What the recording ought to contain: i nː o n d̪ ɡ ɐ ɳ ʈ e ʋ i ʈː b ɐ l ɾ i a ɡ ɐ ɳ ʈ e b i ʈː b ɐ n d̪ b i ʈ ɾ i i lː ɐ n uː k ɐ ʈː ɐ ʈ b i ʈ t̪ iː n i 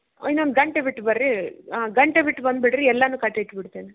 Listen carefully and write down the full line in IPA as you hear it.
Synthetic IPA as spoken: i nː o n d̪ ɡ ɐ ɳ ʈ e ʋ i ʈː b ɐ ɾ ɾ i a ɡ ɐ ɳ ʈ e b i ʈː b ɐ n d̪ b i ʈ ɾ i ɛ lː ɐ n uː k ɐ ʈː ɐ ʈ b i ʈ t̪ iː n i